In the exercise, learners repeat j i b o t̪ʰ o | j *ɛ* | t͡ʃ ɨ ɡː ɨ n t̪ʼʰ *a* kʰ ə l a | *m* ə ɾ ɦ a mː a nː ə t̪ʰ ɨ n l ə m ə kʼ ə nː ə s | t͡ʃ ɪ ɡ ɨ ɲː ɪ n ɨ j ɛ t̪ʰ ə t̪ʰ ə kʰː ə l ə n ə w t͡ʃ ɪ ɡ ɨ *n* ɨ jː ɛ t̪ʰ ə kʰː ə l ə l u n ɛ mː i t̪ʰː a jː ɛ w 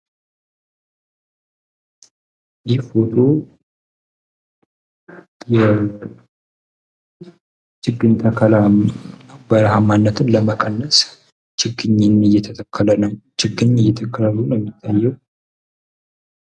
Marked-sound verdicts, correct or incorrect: correct, incorrect: ə, incorrect: b, incorrect: ɲ

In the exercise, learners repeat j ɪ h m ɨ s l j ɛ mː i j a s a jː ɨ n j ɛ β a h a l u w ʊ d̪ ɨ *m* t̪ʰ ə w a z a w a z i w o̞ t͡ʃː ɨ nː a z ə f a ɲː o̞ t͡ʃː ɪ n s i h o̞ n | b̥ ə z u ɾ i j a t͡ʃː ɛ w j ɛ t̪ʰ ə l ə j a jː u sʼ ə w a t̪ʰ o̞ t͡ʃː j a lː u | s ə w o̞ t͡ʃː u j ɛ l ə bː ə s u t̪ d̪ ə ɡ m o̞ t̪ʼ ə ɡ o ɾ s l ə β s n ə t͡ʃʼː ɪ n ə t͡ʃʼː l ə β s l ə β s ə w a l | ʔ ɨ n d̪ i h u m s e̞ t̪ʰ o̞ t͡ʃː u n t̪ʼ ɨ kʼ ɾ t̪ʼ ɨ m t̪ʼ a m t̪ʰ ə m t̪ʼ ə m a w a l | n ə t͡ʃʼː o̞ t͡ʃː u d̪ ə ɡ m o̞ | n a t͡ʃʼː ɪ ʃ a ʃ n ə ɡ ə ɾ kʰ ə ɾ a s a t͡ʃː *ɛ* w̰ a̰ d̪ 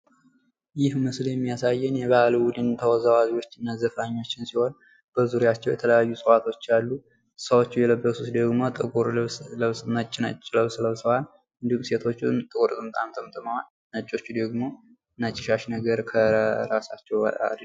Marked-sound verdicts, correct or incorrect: incorrect: n, correct

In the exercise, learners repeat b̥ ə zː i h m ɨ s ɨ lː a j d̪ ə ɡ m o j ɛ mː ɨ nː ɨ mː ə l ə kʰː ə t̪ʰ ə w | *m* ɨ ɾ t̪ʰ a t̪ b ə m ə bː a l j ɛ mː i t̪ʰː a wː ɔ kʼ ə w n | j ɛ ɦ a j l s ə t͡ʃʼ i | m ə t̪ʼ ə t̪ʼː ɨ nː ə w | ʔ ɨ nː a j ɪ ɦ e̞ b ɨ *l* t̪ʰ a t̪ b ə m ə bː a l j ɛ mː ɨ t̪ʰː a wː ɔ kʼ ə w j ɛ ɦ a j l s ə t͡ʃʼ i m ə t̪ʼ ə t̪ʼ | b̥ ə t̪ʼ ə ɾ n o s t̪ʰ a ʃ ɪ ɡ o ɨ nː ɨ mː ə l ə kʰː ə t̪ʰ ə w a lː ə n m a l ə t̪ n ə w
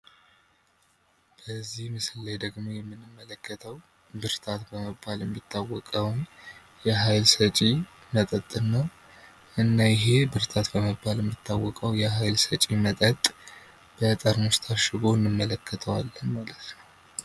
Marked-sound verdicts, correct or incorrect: incorrect: b, incorrect: ɾ

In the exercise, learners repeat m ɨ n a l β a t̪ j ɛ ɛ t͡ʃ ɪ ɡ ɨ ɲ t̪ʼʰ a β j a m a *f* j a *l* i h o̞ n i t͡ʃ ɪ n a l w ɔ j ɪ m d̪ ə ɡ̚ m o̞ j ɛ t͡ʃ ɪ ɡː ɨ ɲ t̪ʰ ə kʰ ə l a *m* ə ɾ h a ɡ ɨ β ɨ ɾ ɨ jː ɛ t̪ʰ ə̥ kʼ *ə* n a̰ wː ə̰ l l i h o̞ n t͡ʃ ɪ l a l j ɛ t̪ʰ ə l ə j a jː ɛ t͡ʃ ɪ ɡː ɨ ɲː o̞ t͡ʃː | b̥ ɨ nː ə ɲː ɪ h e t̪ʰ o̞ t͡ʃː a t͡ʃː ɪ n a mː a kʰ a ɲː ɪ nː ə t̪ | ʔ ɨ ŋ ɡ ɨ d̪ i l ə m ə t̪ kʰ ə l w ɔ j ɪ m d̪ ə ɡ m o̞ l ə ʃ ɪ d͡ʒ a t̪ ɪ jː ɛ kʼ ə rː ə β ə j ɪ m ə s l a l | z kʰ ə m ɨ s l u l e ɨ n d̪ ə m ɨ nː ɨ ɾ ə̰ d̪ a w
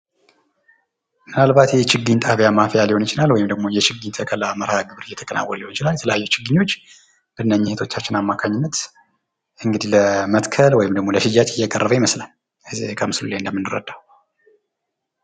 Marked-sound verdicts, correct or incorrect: correct, correct, correct, correct

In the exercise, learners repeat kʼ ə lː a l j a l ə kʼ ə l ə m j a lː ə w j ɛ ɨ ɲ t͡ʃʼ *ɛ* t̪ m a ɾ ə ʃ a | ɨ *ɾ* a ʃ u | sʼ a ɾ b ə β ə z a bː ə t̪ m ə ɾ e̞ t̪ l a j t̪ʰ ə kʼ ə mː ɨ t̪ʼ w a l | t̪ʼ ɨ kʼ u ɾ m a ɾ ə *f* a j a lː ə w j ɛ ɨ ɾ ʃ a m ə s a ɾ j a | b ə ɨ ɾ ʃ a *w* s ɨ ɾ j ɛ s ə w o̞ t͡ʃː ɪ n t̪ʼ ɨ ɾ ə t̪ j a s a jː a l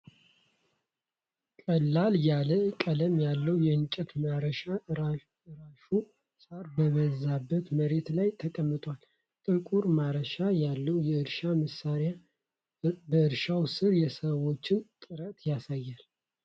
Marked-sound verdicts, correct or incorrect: correct, correct, incorrect: ʃ, correct

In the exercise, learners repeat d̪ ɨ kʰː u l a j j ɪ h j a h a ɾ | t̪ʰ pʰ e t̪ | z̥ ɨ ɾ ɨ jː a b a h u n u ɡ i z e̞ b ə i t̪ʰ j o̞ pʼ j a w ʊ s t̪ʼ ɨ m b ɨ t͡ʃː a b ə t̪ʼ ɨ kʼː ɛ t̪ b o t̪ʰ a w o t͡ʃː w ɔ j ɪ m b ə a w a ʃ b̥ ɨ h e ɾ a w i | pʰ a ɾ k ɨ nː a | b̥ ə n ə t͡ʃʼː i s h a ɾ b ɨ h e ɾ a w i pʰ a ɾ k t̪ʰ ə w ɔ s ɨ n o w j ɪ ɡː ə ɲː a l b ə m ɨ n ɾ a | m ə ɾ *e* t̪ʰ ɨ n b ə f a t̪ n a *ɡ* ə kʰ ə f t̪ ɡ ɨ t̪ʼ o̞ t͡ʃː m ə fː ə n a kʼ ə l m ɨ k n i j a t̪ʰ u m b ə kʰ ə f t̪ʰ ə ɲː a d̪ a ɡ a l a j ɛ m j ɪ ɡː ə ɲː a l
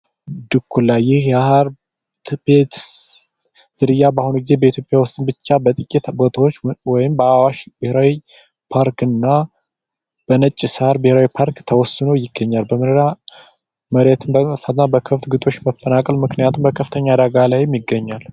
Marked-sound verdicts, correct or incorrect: correct, incorrect: b

